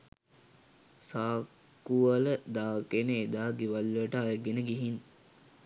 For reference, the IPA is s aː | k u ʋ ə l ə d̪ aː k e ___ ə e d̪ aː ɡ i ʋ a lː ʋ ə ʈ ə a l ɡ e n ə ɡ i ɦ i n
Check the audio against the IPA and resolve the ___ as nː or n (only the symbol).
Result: n